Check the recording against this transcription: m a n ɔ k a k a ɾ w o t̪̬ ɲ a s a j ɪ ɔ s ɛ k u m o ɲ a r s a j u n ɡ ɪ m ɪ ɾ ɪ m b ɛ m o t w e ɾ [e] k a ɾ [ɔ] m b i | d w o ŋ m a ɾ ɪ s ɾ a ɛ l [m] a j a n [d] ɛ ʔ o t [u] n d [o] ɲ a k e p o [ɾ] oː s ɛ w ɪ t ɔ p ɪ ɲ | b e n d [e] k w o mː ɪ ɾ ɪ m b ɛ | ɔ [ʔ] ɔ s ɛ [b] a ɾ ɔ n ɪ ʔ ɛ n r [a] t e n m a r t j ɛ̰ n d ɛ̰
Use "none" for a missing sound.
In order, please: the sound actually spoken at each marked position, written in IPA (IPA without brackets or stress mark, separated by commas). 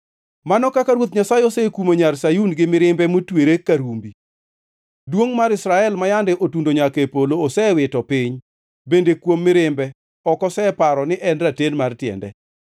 e, u, m, d, u, o, l, e, k, p, a